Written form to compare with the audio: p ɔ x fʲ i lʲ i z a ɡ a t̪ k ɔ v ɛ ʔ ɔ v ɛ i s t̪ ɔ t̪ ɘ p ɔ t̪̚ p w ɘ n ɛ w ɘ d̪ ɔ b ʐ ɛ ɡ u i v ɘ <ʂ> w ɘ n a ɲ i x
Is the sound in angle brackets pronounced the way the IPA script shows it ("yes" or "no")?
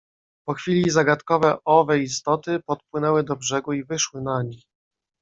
yes